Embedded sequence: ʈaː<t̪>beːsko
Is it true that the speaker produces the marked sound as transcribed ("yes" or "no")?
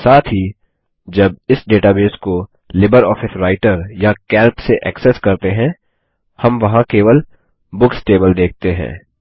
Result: no